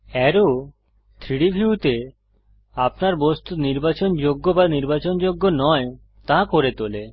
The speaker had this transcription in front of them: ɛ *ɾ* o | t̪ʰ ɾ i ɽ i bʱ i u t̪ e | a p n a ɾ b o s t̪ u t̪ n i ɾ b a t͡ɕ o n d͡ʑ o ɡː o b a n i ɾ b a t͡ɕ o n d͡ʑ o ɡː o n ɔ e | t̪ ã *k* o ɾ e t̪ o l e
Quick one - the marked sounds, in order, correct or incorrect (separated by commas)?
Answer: correct, correct